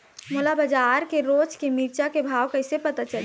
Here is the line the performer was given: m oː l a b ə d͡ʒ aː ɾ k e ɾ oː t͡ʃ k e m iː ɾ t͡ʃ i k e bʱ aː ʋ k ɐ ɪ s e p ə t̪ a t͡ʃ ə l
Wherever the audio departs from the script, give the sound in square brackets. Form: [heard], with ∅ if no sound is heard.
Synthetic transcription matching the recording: m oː l a b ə d͡ʒ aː ɾ k e ɾ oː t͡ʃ k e m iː ɾ t͡ʃ [a] k e bʱ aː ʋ k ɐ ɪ s e p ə t̪ a t͡ʃ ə l